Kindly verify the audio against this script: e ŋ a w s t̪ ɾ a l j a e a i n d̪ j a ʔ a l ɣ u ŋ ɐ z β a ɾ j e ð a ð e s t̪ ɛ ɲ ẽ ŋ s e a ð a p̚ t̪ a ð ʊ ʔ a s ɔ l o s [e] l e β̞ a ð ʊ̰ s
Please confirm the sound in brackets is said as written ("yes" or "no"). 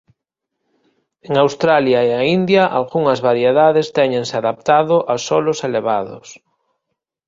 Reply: yes